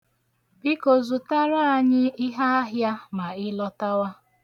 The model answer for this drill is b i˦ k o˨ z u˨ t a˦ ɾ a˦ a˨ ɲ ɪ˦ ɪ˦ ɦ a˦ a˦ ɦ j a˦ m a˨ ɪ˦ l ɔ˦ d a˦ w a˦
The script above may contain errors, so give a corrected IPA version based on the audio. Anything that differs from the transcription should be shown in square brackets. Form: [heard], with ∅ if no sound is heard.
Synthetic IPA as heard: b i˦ k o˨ z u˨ t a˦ ɾ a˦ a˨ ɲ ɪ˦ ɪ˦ ɦ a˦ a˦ ɦ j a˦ m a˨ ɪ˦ l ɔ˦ [t] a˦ w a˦